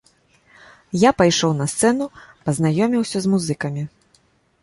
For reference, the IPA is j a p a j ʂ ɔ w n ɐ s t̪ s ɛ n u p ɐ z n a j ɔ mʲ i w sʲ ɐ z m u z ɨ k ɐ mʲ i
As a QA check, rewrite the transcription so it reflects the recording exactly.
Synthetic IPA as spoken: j a p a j ʂ ɔ w n ɐ s t̪ s ɛ n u p ɐ z n a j ɔ mʲ i w sʲ ɐ z m u z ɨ k ɐ mʲ i